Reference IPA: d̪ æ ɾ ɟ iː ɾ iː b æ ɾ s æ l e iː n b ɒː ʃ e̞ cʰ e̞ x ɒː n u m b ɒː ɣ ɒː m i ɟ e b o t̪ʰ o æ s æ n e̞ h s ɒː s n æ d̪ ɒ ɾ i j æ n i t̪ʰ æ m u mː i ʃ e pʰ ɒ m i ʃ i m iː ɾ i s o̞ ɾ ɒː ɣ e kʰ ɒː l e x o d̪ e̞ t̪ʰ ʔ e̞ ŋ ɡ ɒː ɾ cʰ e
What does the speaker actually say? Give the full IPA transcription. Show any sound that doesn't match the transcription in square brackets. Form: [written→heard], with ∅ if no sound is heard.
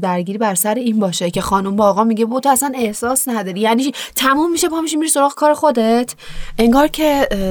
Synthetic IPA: d̪ æ ɾ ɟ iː ɾ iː b æ ɾ s æ [l→ɾ] e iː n b ɒː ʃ e̞ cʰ e̞ x ɒː n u m b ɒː ɣ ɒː m i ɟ e b o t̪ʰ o æ s æ n e̞ h s ɒː s n æ d̪ ɒ ɾ i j æ n i t̪ʰ æ m u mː i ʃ e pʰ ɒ m i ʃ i m [iː→i] ɾ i s o̞ ɾ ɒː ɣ e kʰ ɒː [l→ɾ] e x o d̪ e̞ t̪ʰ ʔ e̞ ŋ ɡ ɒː ɾ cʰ e